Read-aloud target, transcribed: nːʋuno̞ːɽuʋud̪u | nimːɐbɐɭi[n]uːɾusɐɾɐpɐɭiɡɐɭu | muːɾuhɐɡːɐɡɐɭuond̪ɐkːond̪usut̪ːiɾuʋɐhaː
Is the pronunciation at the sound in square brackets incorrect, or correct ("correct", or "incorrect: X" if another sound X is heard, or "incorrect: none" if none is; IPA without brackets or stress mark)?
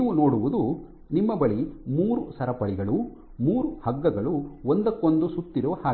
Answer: incorrect: m